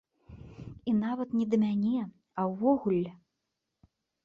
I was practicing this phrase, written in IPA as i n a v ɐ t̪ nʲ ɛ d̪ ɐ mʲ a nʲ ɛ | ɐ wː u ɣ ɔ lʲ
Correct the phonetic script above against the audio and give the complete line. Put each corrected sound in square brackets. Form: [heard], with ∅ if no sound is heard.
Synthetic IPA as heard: i n a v ɐ t̪ nʲ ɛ d̪ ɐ mʲ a nʲ ɛ | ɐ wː [ɔ] ɣ [u] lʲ